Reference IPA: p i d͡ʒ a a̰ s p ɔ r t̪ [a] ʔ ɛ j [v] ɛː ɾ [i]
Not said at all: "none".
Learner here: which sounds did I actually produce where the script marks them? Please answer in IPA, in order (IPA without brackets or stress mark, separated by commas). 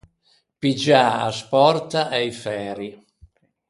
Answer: a, f, i